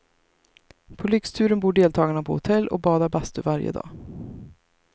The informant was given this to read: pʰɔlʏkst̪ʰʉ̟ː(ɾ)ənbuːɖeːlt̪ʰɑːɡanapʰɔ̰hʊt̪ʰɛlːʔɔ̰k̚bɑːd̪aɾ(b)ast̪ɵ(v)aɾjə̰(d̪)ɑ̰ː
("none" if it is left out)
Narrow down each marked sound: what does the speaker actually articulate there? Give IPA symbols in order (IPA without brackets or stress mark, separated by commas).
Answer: ɾ, b, v, d̪